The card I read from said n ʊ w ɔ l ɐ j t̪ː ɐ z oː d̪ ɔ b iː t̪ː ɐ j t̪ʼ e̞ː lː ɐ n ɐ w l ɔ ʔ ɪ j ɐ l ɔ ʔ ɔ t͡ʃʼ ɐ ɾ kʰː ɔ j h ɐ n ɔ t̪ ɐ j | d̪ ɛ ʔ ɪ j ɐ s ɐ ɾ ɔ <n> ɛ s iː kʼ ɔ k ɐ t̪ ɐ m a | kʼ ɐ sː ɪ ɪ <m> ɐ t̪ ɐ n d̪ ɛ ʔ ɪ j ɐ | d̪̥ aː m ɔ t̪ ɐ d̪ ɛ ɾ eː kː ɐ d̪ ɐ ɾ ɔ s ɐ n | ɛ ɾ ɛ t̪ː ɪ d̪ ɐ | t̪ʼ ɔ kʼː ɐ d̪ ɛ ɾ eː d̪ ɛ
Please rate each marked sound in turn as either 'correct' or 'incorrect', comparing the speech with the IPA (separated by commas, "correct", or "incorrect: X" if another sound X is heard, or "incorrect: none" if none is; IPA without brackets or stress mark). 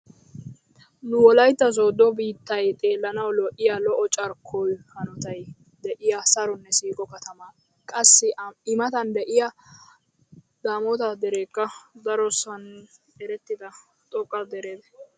incorrect: nː, correct